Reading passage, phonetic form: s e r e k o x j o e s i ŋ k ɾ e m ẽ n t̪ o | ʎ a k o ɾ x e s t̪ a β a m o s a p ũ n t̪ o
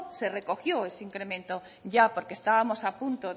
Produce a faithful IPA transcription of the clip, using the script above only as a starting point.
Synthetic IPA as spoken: s e r e k o x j o e s i ŋ k ɾ e m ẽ n t̪ o | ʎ a p o ɾ k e s t̪ a β a m o s a p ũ n t̪ o

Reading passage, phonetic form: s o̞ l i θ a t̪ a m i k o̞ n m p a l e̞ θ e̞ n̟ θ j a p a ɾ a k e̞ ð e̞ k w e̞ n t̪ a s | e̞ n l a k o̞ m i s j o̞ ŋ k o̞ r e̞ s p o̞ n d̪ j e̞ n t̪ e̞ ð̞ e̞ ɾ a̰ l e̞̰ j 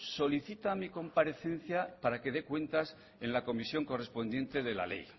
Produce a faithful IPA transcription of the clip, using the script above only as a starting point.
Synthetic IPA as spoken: s o̞ l i θ i t̪ a m i k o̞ m p a ɾ e̞ θ e̞ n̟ θ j a p a ɾ a k e̞ ð e̞ k w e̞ n t̪ a s | e̞ n l a k o̞ m i s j o̞ ŋ k o̞ r e̞ s p o̞ n d̪ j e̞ n t̪ e̞ ð̞ e̞ l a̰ l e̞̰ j

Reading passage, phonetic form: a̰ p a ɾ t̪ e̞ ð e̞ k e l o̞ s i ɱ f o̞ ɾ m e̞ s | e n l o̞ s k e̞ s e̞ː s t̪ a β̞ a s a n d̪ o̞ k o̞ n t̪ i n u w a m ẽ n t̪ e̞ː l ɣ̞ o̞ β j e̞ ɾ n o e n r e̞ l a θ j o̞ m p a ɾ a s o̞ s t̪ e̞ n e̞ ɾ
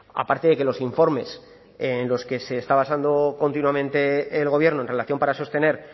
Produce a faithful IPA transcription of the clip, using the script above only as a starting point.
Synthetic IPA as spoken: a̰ p a ɾ t̪ e̞ ð e̞ k e l o̞ s i ɱ f o̞ ɾ m e̞ s | e n l o̞ s k e̞ s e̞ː s t̪ a β̞ a s a n d̪ o̞ k o̞ n t̪ i n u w a m ẽ n t̪ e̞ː l ɣ̞ o̞ β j e̞ ɾ n o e n r e̞ l a θ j o̞ m p a ɾ a s o̞ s t̪ e̞ n e̞ ɾ

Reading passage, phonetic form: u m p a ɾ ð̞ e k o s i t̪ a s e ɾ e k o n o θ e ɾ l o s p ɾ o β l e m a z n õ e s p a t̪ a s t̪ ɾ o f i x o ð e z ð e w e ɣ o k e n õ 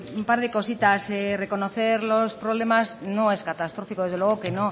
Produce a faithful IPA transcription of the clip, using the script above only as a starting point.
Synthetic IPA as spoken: u m p a ɾ ð̞ e k o s i t̪ a s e r e k o n o θ e ɾ l o s p ɾ o β l e m a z n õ e s k a t̪ a s t̪ ɾ o f i k o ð e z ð e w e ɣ o k e n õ

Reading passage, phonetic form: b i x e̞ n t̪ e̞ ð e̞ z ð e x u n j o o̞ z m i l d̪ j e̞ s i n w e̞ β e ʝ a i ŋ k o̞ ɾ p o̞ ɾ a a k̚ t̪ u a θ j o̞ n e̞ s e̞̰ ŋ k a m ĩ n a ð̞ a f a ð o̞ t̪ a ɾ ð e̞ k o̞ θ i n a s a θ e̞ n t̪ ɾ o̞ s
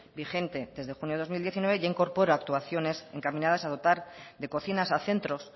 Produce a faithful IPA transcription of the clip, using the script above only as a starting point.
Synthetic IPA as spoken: b i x e̞ n t̪ e̞ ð e̞ z ð e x u n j o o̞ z m i l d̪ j e̞ θ i n w e̞ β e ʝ a i ŋ k o̞ ɾ p o̞ ɾ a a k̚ t̪ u a θ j o̞ n e̞ s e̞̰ ŋ k a m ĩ n a ð̞ a s a ð o̞ t̪ a ɾ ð e̞ k o̞ θ i n a s a θ e̞ n t̪ ɾ o̞ s

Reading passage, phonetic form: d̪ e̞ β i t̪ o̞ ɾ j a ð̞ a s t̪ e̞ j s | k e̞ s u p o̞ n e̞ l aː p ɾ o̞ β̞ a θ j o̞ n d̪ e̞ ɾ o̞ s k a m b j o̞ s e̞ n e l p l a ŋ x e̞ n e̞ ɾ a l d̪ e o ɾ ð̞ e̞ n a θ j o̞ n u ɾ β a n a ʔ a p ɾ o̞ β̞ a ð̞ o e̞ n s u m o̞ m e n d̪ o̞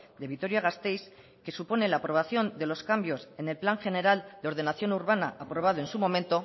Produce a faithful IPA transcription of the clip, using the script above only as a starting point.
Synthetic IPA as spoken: d̪ e̞ β i t̪ o̞ ɾ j a ɣ̞ a s t̪ e̞ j s | k e̞ s u p o̞ n e̞ l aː p ɾ o̞ β̞ a θ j o̞ n d̪ e̞ l o̞ s k a m b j o̞ s e̞ n e l p l a ŋ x e̞ n e̞ ɾ a l d̪ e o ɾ ð̞ e̞ n a θ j o̞ n u ɾ β a n a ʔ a p ɾ o̞ β̞ a ð̞ o e̞ n s u m o̞ m e n t̪ o̞

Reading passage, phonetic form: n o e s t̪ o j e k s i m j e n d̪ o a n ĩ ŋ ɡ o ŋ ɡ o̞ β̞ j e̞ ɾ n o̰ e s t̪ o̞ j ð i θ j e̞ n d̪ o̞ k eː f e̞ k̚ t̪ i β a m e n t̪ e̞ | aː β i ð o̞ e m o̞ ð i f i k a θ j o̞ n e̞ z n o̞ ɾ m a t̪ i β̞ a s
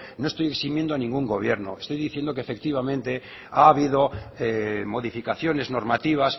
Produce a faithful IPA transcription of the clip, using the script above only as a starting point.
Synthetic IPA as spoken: n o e s t̪ o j e k s i m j e n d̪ o a n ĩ ŋ ɡ u ŋ ɡ o̞ β̞ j e̞ ɾ n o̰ e s t̪ o̞ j ð i θ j e̞ n d̪ o̞ k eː f e̞ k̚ t̪ i β a m ẽ n t̪ e̞ | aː β i ð o̞ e m o̞ ð i f i k a θ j o̞ n e̞ z n o̞ ɾ m a t̪ i β̞ a s

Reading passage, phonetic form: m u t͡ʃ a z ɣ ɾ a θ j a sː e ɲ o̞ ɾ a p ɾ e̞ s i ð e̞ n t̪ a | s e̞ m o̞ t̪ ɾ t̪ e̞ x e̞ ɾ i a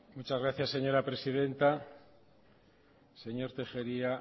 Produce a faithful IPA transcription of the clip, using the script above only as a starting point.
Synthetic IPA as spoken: m u t͡ʃ a z ɣ ɾ a θ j a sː e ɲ o̞ ɾ a p ɾ e̞ s i ð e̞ n t̪ a | s e̞ ɲ o̞ ɾ t̪ e̞ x e̞ ɾ i a

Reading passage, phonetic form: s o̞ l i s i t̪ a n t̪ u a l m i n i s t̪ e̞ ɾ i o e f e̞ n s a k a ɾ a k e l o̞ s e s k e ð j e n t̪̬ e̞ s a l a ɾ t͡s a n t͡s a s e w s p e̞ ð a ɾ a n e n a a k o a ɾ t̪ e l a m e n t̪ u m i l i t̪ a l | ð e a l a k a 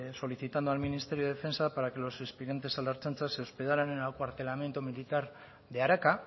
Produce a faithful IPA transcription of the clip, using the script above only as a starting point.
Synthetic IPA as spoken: s o̞ l i θ i t̪ a n d̪ u a l m i n i s t̪ e̞ ɾ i o e f e̞ n s a p a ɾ a k e l o̞ s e s p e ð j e n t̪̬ e̞ s a l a ɾ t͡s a n t͡s a s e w s p e̞ ð a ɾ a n e n a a k o a ɾ t̪ e l a m e n t̪ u m i l i t̪ a ɾ | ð e a ɾ a k a

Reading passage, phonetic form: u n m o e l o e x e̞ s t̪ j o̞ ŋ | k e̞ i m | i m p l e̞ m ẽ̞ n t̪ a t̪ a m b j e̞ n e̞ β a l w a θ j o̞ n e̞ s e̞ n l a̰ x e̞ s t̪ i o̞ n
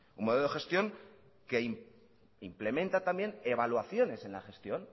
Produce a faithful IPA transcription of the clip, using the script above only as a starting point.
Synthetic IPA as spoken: u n m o e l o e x e̞ s t̪ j o̞ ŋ | k e̞ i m | i m p l e̞ m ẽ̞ n t̪ a t̪ a m b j e̞ n e̞ β a l w a θ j o̞ n e̞ s e̞ n l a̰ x e̞ s t̪ j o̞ n

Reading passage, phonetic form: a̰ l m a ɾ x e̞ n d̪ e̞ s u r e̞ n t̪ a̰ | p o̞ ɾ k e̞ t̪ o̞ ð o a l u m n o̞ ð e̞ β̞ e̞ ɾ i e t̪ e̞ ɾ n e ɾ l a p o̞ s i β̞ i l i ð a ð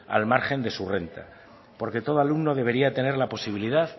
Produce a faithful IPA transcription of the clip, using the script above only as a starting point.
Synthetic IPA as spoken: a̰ l m a ɾ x e̞ n d̪ e̞ s u r e̞ n t̪ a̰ | p o̞ ɾ k e̞ t̪ o̞ ð o a l u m n o̞ ð e̞ β̞ e̞ ɾ i a t̪ e̞ n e ɾ l a p o̞ s i β̞ i l i ð a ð

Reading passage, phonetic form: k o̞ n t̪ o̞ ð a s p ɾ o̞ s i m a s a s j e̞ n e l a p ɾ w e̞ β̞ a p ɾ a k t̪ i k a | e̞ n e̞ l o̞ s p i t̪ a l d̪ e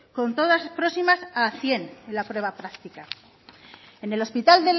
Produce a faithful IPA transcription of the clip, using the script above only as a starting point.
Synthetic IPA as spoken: k o̞ n t̪ o̞ ð a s p ɾ o̞ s i m a s a θ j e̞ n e l a p ɾ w e̞ β̞ a p ɾ a k t̪ i k a | e̞ n e̞ l o̞ s p i t̪ a l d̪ e

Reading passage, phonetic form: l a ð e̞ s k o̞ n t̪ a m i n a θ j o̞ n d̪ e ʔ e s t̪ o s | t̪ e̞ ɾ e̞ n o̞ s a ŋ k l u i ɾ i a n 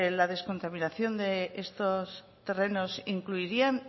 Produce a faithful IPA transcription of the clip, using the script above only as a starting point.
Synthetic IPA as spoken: l a ð e̞ s k o̞ n t̪ a m i n a θ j o̞ n d̪ e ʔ e s t̪ o s | t̪ e̞ r e̞ n o̞ s i ŋ k l u i ɾ i a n

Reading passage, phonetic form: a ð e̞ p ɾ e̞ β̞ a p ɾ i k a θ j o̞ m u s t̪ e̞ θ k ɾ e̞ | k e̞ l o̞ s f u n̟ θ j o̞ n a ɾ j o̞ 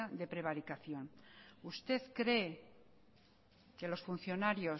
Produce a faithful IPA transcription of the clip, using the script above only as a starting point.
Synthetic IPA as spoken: a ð e̞ p ɾ e̞ β̞ a ɾ i k a θ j o̞ n u s t̪ e̞ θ k ɾ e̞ | k e̞ l o̞ s f u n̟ θ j o̞ n a ɾ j o̞

